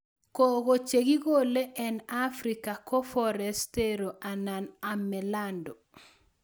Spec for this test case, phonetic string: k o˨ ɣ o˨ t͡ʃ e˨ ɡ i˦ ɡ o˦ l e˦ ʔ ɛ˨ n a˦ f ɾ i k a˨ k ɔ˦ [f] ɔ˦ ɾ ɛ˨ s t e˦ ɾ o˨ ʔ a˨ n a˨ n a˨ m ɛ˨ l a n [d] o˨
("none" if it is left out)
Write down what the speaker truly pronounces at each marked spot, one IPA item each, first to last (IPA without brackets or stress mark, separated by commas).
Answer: f, d